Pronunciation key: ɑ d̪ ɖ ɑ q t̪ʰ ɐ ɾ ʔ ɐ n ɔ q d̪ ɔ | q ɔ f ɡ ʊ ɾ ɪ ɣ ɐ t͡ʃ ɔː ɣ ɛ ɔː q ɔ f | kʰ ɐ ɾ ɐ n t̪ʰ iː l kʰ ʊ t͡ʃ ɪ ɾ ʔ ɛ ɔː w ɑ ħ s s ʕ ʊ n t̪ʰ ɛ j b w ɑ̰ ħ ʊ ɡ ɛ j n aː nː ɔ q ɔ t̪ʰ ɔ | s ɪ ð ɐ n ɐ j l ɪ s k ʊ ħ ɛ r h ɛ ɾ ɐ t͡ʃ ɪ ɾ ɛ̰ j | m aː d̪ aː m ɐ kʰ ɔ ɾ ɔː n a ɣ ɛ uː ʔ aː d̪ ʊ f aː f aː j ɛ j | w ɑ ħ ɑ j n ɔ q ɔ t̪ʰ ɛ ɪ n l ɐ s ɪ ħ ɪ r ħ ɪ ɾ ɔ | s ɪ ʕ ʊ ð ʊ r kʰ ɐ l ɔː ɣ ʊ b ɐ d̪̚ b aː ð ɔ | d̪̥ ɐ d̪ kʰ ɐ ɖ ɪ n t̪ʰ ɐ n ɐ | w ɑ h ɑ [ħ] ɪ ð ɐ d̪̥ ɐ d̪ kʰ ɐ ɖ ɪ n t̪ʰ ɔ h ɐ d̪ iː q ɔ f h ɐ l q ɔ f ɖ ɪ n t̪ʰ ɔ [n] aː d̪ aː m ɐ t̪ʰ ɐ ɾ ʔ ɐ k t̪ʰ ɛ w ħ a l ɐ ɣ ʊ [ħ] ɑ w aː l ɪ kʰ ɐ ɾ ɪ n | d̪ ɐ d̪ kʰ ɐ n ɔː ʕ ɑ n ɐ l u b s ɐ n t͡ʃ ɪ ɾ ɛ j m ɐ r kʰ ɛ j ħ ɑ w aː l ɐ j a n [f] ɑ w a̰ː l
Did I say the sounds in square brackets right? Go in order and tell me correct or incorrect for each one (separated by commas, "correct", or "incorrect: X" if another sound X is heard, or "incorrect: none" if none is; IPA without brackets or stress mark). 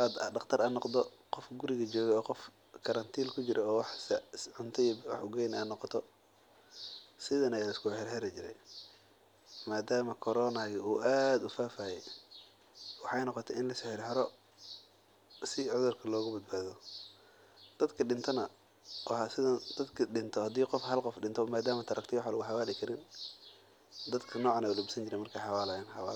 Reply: incorrect: s, incorrect: m, correct, incorrect: ħ